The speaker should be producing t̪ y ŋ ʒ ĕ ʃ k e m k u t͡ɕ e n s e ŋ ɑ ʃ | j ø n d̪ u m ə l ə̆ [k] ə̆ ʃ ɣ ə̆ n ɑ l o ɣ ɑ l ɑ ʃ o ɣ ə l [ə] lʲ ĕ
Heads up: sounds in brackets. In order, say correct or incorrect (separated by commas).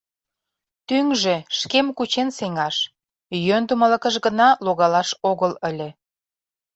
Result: correct, correct